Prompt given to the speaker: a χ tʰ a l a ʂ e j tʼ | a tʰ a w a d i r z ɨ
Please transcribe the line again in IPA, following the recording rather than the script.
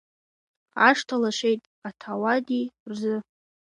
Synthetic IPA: a ʂ tʰ a l a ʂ e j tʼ | a tʰ a w a d i r z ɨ